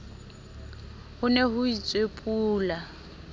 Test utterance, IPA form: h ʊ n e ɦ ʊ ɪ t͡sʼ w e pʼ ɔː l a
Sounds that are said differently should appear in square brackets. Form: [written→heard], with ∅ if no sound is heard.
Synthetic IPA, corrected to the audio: h ʊ n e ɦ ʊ [ɪ→i] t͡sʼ w e pʼ [ɔː→uː] l a

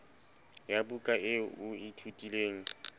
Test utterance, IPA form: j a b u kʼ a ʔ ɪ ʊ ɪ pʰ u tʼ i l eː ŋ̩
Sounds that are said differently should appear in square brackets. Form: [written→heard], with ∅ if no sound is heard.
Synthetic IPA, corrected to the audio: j a b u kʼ a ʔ ɪ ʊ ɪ [pʰ→tʰ] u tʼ i l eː ŋ̩

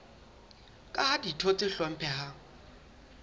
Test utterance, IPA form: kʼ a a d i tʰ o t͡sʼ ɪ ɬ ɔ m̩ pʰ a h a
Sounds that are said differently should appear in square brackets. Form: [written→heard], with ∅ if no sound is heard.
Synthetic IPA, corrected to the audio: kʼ a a d i tʰ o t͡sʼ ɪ ɬ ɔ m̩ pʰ [a→ɛ] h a

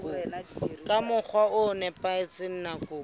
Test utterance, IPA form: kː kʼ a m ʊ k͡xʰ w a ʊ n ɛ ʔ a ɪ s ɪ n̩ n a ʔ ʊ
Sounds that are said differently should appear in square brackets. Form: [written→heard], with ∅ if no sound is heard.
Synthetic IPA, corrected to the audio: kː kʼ a m ʊ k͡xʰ w a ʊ n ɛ [ʔ→p] a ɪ [s→t͡s] ɪ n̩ n a [ʔ→k] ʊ

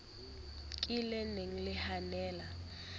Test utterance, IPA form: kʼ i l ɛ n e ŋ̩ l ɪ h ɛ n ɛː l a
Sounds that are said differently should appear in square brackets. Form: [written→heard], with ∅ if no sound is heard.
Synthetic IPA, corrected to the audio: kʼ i l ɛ n e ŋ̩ l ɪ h [ɛ→a] n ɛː l a

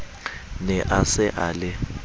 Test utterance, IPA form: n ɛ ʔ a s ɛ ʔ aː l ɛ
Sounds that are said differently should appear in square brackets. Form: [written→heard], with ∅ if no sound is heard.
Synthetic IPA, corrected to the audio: n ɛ ʔ a s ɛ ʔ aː l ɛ

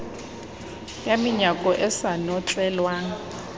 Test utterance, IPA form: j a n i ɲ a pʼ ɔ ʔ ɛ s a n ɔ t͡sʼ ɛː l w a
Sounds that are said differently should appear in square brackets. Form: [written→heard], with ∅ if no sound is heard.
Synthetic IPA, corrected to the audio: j a [n→m] i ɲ a [pʼ→kʼ] ɔ ʔ ɛ s a n ɔ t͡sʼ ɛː l w a

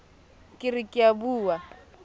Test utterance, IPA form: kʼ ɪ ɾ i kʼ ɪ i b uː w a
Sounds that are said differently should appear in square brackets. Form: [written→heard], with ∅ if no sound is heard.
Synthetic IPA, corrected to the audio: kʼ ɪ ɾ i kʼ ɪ [i→a] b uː w a

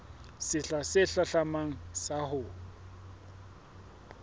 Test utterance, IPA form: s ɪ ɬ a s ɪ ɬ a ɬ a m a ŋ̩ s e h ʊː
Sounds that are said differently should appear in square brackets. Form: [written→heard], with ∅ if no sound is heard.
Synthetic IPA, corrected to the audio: s ɪ ɬ a s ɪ ɬ a ɬ a m a ŋ̩ s [e→a] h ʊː

